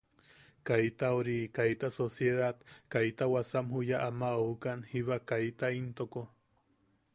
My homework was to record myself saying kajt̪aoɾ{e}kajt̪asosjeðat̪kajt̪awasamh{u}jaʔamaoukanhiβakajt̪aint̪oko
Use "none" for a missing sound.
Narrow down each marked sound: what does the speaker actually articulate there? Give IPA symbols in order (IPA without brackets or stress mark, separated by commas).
i, u